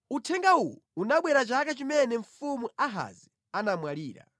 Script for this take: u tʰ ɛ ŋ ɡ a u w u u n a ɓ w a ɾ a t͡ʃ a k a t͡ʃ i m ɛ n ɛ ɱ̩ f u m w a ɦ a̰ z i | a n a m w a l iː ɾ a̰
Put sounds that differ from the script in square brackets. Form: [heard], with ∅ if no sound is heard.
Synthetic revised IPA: u tʰ ɛ ŋ ɡ a u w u u n a ɓ w [ɛ] ɾ a t͡ʃ a k a t͡ʃ i m ɛ n ɛ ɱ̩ f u m [u] a ɦ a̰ z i | a n a m w a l iː ɾ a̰